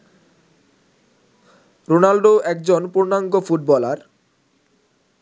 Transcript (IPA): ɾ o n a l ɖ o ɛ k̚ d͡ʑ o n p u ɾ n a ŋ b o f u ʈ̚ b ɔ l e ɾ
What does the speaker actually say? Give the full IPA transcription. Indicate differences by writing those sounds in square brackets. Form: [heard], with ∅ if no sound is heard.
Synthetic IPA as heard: ɾ o n a l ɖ o ɛ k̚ d͡ʑ o n p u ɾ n a ŋ [ɡ] o f u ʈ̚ b ɔ l [a] ɾ